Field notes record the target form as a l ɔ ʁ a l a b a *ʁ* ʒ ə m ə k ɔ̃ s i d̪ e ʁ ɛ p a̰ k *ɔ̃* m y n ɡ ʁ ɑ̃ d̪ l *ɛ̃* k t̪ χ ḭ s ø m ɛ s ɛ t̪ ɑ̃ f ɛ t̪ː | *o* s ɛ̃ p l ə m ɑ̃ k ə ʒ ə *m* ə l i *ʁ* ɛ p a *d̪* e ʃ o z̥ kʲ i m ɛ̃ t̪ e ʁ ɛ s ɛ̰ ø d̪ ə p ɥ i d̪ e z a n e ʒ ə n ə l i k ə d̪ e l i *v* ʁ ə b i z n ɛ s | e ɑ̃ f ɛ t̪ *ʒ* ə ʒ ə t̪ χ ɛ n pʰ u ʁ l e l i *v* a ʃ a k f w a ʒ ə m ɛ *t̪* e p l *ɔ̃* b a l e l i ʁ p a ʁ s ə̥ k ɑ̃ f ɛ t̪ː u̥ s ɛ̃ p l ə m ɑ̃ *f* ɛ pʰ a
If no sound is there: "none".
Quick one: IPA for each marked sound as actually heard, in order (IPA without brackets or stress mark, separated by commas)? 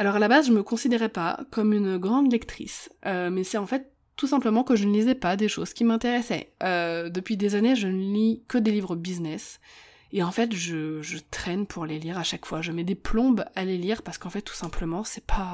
z, ɔ, ɛ, u, n, z, d̪, v, ʒ, ʁ, d̪, ɔ̃, s